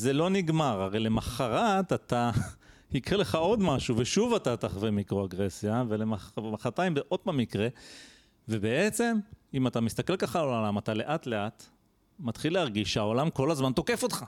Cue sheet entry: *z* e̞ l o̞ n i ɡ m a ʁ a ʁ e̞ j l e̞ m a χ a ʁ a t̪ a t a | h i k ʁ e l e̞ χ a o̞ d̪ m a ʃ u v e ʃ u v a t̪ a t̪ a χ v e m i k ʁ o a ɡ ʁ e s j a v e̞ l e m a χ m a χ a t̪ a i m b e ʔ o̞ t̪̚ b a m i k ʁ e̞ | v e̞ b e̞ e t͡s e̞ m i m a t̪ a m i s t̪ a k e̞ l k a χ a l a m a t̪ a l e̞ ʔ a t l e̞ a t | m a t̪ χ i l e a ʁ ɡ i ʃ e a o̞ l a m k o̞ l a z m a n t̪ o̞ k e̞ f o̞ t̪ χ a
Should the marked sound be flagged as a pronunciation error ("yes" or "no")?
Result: no